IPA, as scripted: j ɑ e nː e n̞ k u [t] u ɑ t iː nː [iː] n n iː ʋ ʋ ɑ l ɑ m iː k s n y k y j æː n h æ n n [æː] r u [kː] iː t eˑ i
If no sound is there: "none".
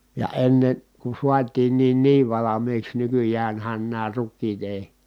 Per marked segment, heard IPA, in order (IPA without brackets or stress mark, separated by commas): s, iː, æː, kː